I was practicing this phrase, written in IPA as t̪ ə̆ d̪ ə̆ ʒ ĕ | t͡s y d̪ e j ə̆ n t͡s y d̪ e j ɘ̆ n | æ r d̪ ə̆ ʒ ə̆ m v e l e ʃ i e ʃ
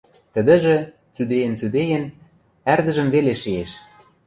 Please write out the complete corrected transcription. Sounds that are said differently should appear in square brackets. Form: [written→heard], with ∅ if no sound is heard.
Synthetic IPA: t̪ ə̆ d̪ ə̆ ʒ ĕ | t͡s y d̪ e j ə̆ n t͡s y d̪ e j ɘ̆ n | æ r d̪ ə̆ ʒ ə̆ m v e l e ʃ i e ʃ